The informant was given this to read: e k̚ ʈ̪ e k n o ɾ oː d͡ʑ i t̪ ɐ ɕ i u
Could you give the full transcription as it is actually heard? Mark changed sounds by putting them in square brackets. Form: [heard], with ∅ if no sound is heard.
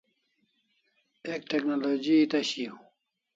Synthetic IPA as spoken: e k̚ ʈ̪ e k n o [l] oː d͡ʑ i t̪ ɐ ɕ i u